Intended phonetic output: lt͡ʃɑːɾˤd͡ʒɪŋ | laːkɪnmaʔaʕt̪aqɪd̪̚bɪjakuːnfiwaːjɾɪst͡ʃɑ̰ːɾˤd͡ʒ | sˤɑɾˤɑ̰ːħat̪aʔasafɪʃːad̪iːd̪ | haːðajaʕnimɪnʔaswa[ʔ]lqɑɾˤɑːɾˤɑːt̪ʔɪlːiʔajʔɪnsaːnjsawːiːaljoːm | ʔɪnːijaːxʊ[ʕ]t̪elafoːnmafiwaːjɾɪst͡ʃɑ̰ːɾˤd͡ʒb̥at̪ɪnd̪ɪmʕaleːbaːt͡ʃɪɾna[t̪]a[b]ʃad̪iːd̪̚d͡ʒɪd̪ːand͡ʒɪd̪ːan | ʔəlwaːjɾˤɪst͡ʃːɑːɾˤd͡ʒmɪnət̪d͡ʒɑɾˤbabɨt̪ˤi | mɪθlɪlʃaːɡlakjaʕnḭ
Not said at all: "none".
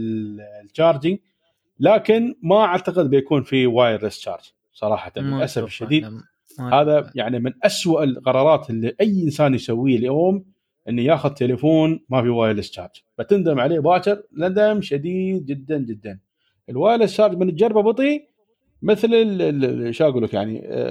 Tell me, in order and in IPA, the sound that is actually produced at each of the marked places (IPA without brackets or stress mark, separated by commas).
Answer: ʔ, ð, d̪, m